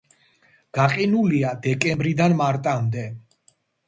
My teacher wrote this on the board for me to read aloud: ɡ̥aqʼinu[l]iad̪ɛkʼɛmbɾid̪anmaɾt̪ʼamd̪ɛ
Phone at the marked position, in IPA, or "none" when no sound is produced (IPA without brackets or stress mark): l